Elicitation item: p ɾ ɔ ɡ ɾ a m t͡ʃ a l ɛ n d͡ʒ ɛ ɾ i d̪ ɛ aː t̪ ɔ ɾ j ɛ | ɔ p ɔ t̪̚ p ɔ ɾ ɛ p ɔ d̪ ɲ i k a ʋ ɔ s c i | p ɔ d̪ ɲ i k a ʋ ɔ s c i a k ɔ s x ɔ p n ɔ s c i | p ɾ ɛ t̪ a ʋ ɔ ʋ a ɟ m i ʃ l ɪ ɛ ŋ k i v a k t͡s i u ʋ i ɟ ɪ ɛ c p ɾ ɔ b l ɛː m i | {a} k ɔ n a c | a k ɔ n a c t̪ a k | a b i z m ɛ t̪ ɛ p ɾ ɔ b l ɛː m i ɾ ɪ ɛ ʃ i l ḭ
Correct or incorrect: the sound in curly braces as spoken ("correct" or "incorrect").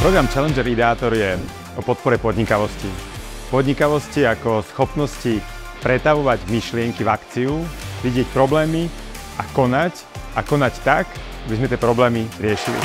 correct